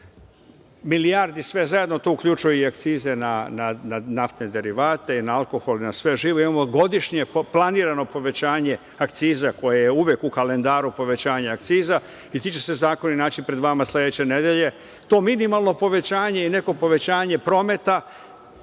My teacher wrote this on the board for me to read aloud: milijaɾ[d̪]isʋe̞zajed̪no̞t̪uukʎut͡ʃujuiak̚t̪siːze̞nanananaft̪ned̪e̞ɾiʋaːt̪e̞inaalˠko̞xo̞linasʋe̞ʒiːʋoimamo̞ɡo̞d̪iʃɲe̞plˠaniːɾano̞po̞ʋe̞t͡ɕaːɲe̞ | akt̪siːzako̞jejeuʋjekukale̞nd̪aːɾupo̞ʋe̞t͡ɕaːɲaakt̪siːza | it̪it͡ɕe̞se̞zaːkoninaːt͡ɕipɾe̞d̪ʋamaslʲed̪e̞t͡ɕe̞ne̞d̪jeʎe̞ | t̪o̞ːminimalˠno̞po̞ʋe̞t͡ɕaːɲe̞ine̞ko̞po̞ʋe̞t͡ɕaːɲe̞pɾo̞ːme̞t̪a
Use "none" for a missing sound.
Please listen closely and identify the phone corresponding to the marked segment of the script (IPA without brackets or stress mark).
d̪